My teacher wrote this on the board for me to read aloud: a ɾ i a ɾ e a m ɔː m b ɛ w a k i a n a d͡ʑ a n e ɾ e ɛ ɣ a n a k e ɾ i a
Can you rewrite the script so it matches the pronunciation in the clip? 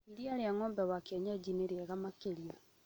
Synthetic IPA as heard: i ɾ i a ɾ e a ŋ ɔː m b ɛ w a k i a ɲ a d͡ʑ i n e ɾ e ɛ ɣ a m a k e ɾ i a